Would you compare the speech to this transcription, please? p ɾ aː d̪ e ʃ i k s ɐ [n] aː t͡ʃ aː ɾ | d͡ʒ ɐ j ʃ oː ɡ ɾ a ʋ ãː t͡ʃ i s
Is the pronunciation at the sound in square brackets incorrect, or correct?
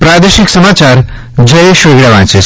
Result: incorrect